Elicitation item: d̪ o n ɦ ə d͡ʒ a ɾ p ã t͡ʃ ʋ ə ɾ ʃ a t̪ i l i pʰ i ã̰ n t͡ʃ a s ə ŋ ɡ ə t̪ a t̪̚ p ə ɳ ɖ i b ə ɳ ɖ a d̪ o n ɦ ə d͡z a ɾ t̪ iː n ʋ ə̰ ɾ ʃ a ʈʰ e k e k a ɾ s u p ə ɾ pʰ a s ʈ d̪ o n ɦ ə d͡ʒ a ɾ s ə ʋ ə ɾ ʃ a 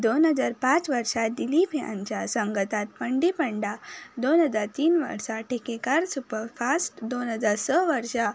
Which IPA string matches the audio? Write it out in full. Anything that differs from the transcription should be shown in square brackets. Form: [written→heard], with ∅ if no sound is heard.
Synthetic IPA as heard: d̪ o n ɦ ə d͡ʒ a ɾ p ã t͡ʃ ʋ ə ɾ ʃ a [t̪→d̪] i l i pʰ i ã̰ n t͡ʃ a s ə ŋ ɡ ə t̪ a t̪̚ p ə ɳ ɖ i [b→p] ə ɳ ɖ a d̪ o n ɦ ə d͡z a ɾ t̪ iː n ʋ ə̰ ɾ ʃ a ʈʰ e k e k a ɾ s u p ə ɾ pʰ a s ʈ d̪ o n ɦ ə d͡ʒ a ɾ s ə ʋ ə ɾ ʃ a